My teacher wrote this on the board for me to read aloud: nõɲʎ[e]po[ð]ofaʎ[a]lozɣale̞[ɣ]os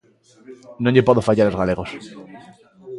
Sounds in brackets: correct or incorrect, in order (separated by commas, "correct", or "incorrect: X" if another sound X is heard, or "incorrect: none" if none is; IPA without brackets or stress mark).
correct, correct, correct, correct